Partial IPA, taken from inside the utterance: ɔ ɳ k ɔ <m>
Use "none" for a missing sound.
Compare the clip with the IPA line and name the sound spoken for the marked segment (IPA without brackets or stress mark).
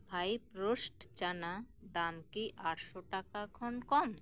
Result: m